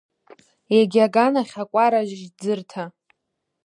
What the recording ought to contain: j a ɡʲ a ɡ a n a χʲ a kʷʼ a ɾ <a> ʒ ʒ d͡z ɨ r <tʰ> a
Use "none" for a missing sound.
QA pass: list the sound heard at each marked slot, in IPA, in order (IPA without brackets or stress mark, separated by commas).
a, tʰ